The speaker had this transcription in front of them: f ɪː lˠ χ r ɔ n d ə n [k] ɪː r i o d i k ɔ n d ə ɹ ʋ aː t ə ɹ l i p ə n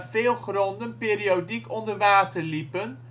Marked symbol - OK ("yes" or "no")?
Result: no